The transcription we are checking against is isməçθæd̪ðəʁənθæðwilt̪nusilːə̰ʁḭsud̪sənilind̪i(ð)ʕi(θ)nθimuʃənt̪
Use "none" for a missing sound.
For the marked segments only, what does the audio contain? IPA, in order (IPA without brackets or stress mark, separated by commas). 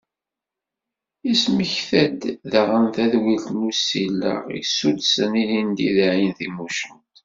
ð, none